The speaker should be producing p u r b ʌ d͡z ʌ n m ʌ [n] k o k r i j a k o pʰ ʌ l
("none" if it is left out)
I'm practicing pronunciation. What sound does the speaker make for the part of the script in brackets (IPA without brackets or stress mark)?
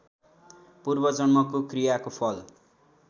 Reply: none